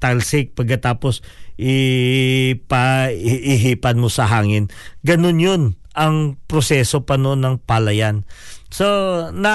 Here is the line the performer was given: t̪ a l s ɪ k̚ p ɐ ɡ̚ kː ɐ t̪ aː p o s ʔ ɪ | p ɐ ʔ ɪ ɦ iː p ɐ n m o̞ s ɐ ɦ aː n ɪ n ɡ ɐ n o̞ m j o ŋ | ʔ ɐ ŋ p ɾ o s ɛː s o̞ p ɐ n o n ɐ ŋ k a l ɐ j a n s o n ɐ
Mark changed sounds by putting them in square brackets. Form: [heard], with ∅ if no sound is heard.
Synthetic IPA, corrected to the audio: t̪ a l s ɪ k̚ p ɐ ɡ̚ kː ɐ t̪ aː p o s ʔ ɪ | p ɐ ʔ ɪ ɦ iː p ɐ n m o̞ s ɐ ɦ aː [ŋ] ɪ n ɡ ɐ n o̞ [n] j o [n] | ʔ ɐ ŋ p ɾ o s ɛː s o̞ p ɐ n o n ɐ ŋ [p] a l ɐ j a n s o n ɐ